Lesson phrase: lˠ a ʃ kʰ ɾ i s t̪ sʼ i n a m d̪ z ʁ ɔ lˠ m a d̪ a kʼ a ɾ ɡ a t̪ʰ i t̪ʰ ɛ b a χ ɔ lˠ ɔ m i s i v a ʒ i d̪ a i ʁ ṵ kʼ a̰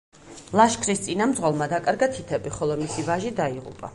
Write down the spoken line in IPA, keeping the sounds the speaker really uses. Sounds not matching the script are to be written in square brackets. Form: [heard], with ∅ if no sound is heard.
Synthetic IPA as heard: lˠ a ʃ kʰ ɾ i s t̪ sʼ i n a m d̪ z ʁ ɔ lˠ m a d̪ a kʼ a ɾ ɡ a t̪ʰ i t̪ʰ ɛ b [i] χ ɔ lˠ ɔ m i s i v a ʒ i d̪ a i ʁ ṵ [pʼ] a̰